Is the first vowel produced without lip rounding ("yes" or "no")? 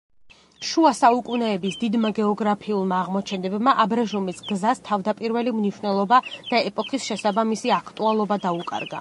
no